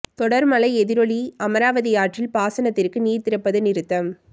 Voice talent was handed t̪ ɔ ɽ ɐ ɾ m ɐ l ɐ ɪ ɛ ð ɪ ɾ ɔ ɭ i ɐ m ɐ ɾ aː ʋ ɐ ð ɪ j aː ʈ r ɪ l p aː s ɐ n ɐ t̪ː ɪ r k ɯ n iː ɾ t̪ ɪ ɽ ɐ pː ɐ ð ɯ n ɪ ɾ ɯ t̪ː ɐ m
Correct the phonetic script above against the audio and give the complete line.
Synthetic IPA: t̪ ɔ ɽ ɐ ɾ m ɐ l ɐ ɪ ɛ ð ɪ ɾ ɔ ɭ i ɐ m ɐ ɾ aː ʋ ɐ ð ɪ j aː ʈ r ɪ l p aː s ɐ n ɐ t̪ː ɪ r k ɯ n iː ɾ t̪ ɪ ɾ ɐ pː ɐ ð ɯ n ɪ ɾ ɯ t̪ː ɐ m